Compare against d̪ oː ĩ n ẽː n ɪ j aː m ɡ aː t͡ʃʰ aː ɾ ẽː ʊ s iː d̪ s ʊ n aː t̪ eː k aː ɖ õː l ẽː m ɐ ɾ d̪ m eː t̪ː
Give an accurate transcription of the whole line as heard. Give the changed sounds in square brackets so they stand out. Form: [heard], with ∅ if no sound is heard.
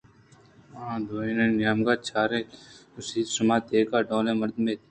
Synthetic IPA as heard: d̪ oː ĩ n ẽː n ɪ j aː m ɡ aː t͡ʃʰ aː ɾ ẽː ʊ s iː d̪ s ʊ [m] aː t̪ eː k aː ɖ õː l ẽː m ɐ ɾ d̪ m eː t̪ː